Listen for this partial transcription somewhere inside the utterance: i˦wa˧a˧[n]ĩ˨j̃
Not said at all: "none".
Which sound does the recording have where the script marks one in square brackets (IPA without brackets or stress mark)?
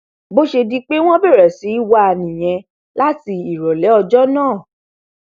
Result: n